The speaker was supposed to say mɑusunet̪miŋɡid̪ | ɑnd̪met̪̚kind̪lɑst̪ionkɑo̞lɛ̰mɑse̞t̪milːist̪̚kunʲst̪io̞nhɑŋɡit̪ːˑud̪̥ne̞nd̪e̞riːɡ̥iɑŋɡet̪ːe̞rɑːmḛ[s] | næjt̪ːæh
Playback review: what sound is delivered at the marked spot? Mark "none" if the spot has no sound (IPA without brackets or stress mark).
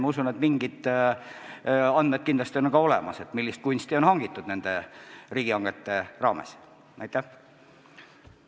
s